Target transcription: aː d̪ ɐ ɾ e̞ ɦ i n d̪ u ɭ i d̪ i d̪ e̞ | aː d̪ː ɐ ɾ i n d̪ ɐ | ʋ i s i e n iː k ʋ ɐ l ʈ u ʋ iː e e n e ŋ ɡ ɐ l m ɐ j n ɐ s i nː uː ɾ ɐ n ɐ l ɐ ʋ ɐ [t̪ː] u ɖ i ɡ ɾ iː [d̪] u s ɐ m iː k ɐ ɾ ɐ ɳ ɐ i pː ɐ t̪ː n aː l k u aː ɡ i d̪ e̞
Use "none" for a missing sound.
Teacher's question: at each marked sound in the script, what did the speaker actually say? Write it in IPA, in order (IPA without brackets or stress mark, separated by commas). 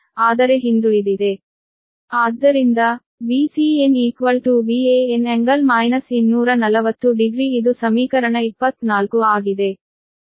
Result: t̪ː, d̪